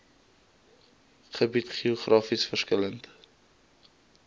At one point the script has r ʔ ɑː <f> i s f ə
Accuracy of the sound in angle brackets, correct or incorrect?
correct